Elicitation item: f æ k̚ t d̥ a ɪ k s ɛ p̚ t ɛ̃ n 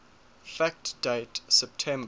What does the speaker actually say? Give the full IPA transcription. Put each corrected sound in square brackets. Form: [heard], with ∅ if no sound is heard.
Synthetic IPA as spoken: f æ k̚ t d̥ [e] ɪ [t] s ɛ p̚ [tʰ] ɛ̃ [m]